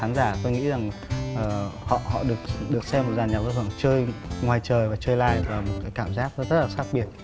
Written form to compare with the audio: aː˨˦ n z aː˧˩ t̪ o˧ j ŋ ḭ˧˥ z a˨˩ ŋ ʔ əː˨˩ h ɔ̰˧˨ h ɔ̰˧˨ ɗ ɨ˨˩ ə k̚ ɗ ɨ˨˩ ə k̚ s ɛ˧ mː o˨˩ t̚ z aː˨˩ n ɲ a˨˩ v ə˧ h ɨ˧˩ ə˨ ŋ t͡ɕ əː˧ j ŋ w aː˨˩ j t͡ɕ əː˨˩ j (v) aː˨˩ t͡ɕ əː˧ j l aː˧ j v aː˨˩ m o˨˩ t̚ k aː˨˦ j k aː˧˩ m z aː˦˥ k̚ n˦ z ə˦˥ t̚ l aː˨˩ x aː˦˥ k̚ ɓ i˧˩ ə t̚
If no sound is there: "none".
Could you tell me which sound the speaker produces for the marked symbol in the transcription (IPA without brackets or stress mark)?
v